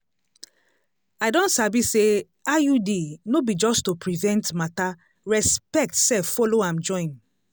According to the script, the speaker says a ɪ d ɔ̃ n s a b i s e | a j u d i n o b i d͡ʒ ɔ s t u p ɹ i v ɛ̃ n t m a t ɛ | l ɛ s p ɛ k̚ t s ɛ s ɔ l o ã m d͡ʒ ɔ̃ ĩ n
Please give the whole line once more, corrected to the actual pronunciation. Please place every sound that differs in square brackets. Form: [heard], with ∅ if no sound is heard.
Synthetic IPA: a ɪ d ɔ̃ n s a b i s e | a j u d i n o b i d͡ʒ ɔ s t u p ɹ i v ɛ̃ n t m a t [a] | [ɹ] ɛ s p ɛ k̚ t s ɛ [f] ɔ l o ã m d͡ʒ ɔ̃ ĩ n